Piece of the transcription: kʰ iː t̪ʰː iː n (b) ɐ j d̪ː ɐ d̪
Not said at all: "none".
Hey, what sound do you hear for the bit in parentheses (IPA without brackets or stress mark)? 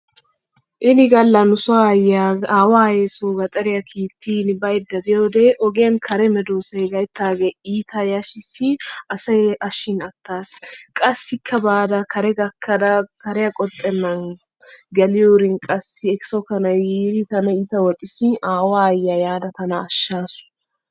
b